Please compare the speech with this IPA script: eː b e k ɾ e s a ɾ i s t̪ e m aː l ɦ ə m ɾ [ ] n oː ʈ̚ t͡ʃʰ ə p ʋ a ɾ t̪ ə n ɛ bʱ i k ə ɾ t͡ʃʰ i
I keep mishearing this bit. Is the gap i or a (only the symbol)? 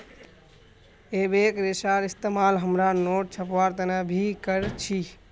a